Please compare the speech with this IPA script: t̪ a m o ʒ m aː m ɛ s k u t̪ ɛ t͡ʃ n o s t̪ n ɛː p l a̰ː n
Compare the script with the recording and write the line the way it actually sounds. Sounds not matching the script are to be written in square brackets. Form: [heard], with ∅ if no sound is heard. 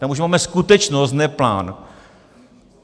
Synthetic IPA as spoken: t̪ a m [u] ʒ m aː m ɛ s k u t̪ ɛ t͡ʃ n o s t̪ n [ɛ] p l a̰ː n

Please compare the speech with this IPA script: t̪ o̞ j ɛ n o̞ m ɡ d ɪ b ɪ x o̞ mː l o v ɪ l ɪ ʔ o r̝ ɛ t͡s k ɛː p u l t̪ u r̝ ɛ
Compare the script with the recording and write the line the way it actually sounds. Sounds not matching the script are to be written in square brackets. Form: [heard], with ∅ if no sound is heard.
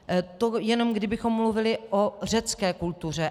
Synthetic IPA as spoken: t̪ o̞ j ɛ n o̞ m ɡ d ɪ b ɪ x o̞ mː l [u] v ɪ l ɪ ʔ o r̝ ɛ t͡s k ɛː [k] u l t̪ u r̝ ɛ

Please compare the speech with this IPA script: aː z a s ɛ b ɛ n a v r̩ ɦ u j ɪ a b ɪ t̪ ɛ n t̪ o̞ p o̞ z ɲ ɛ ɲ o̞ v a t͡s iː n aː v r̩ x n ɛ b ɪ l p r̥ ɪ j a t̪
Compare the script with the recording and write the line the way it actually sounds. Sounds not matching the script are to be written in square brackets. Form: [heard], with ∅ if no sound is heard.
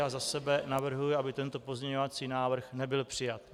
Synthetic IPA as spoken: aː z a s ɛ b ɛ n a v r̩ ɦ u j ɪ a b ɪ t̪ ɛ n t̪ o̞ p o̞ z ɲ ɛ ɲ o̞ v a t͡s iː n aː v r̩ x n ɛ b ɪ l p r̥ ɪ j a t̪

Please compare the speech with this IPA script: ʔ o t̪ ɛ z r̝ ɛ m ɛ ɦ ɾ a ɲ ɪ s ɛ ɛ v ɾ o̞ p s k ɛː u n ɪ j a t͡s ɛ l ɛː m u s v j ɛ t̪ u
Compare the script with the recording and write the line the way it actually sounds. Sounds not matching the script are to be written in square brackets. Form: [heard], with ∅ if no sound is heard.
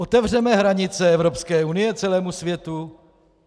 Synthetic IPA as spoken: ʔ o t̪ ɛ [v] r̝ ɛ m ɛ ɦ ɾ a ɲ ɪ [t͡s] ɛ ɛ v ɾ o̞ p s k ɛː u n ɪ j [ɛ] t͡s ɛ l ɛː m u s v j ɛ t̪ u

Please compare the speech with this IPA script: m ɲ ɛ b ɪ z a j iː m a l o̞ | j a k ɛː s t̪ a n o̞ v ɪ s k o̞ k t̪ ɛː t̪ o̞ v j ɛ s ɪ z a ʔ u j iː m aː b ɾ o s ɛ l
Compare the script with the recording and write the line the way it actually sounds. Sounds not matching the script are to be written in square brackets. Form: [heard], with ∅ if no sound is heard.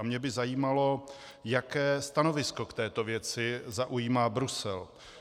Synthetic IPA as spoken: m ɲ ɛ b ɪ z a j iː m a l o̞ | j a k ɛː s t̪ a n o̞ v ɪ s k o̞ k t̪ ɛː t̪ o̞ v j ɛ [t͡s] ɪ z a ʔ u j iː m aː b ɾ [u] s ɛ l

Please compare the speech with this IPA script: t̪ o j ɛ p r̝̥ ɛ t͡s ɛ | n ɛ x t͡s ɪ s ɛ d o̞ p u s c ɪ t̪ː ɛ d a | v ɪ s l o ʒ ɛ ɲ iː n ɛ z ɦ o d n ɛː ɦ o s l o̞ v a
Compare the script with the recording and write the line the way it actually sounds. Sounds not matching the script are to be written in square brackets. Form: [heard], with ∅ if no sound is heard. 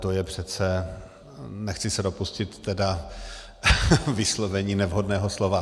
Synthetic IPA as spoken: t̪ o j ɛ p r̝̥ ɛ t͡s ɛ | n ɛ x t͡s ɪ s ɛ d o̞ p u s c ɪ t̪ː ɛ d a | v ɪ s l o [v] ɛ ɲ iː n ɛ [v] ɦ o d n ɛː ɦ o s l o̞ v a

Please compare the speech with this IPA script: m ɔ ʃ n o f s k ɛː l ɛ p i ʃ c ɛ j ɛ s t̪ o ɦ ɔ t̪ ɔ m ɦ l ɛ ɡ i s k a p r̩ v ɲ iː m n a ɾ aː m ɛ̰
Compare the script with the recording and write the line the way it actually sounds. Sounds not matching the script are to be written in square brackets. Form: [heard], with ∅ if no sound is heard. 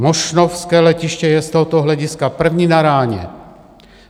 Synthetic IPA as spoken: m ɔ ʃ n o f s k ɛː l ɛ [c] i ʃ c ɛ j ɛ s t̪ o ɦ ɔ t̪ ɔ [∅] ɦ l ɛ [ɟ] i s k a p r̩ v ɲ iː [∅] n a ɾ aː [ɲ] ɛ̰

